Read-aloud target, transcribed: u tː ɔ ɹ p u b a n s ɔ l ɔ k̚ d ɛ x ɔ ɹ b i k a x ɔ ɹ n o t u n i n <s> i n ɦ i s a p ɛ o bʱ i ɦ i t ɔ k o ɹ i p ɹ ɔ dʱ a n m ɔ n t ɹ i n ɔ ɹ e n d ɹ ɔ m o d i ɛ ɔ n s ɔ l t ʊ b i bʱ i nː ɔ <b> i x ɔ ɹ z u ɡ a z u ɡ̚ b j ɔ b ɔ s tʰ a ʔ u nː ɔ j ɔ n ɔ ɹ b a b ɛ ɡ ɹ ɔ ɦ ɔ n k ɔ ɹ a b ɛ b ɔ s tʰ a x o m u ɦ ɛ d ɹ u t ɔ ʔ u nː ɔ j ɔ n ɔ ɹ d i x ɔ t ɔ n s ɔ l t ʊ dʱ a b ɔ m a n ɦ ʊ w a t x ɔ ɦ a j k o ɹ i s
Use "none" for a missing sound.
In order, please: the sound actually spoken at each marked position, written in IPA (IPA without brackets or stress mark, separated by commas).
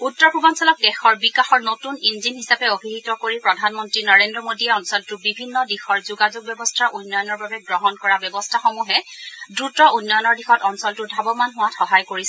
z, d